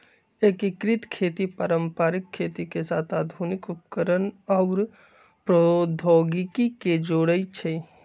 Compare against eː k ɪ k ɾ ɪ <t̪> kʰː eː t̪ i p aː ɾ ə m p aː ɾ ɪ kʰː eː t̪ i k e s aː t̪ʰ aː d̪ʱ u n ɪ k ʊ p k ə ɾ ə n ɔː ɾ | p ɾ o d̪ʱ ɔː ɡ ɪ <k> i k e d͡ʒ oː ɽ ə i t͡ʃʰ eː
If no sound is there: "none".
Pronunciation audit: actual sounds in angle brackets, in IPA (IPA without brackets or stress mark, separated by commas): t̪, k